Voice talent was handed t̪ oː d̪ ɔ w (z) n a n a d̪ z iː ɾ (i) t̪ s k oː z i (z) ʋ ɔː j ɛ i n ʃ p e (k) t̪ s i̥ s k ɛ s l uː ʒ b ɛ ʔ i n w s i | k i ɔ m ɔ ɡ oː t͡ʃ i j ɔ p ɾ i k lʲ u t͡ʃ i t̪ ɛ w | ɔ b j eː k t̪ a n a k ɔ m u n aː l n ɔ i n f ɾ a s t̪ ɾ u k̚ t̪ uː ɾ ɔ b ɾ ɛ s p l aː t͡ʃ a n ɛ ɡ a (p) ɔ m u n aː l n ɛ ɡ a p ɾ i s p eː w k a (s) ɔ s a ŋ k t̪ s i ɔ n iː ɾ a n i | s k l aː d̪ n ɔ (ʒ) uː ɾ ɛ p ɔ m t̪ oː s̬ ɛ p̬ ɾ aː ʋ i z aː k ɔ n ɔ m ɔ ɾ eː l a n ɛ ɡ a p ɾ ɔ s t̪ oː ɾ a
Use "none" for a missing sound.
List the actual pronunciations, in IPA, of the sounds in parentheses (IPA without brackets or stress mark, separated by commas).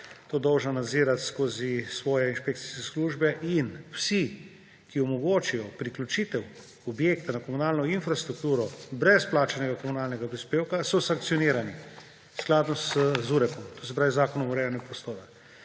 ʒ, a, s, k, k, s, z